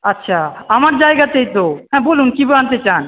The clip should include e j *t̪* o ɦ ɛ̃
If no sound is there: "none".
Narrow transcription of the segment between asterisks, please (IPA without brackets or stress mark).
t̪